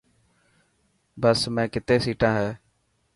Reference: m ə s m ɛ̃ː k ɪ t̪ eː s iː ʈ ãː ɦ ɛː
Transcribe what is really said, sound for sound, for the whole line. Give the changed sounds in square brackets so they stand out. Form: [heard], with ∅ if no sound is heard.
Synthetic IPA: [b] ə s m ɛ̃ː k ɪ t̪ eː s iː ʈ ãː ɦ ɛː